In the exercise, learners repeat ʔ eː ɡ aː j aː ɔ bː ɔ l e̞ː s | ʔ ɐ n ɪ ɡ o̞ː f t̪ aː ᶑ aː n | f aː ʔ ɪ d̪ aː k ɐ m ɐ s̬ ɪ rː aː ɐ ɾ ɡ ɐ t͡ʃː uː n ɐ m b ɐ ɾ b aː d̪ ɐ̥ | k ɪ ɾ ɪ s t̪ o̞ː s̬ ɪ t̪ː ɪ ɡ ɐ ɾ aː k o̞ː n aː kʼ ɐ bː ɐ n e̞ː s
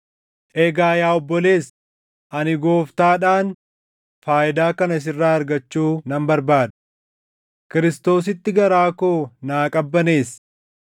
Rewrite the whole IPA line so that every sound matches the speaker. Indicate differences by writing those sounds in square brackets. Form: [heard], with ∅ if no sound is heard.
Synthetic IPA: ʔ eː ɡ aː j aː ɔ bː ɔ l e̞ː s | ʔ ɐ n ɪ ɡ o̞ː f t̪ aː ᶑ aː n | f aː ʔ ɪ d̪ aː k ɐ [n] ɐ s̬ ɪ rː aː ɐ ɾ ɡ ɐ t͡ʃː uː n ɐ m b ɐ ɾ b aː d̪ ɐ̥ | k ɪ ɾ ɪ s t̪ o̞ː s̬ ɪ t̪ː ɪ ɡ ɐ ɾ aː k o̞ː n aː kʼ ɐ bː ɐ n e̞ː s